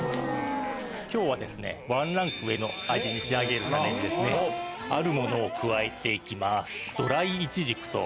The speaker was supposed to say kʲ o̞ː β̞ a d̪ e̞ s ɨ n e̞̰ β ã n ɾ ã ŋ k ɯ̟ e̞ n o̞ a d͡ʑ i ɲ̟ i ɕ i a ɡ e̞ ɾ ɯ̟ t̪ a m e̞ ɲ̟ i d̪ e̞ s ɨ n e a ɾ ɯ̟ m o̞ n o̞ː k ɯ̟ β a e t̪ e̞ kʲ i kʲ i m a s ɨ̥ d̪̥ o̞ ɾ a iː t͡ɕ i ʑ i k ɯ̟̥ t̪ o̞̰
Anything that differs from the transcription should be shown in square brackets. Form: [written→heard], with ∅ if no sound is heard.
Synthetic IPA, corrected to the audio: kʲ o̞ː β̞ a d̪ e̞ s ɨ n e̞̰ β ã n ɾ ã ŋ k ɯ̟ e̞ n o̞ a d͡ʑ i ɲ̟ i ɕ i a ɡ e̞ ɾ ɯ̟ t̪ a m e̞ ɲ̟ i d̪ e̞ s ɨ n e a ɾ ɯ̟ m o̞ n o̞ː k ɯ̟ β a e t̪ e̞ [kʲ→∅] i kʲ i m a s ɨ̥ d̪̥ o̞ ɾ a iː t͡ɕ i ʑ i k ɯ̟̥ t̪ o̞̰